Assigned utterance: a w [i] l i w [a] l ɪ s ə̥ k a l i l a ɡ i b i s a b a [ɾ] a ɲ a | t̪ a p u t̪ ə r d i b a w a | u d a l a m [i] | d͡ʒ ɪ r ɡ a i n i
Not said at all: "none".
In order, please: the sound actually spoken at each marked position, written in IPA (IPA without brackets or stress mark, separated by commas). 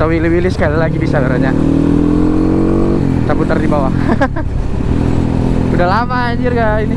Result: i, i, ɾ, a